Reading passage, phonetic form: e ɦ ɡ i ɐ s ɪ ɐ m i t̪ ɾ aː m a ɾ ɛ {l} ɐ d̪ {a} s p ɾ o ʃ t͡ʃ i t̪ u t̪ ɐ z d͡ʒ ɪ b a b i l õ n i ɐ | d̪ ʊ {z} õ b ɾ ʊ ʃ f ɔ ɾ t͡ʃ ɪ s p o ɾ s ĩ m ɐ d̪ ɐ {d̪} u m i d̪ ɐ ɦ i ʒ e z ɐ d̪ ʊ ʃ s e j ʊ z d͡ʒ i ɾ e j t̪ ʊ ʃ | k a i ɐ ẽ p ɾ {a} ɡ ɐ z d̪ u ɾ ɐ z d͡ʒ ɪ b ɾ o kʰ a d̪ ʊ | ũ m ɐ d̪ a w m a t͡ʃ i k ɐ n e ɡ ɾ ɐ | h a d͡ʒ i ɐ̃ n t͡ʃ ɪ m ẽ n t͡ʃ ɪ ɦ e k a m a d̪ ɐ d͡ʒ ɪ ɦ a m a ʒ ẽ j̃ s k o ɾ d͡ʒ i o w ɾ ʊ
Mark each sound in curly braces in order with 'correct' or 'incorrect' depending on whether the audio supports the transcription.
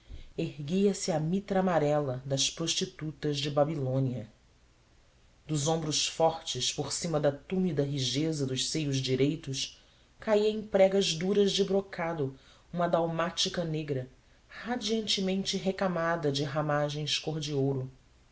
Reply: correct, incorrect: ɐ, correct, incorrect: t̪, incorrect: ɛ

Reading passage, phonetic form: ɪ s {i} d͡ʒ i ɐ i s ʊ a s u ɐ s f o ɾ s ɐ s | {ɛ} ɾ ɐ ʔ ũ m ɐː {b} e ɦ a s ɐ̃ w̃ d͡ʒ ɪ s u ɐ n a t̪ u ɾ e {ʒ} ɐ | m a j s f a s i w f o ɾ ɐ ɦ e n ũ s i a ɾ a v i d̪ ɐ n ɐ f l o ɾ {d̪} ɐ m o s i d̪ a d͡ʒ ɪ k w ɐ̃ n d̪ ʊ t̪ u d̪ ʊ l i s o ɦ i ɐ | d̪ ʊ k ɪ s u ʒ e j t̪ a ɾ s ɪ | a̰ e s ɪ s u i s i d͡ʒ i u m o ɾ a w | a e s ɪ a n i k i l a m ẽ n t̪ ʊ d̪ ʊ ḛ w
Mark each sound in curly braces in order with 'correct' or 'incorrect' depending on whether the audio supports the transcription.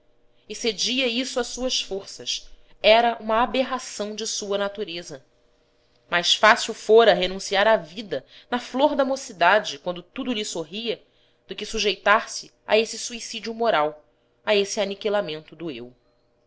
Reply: incorrect: e, correct, correct, incorrect: z, correct

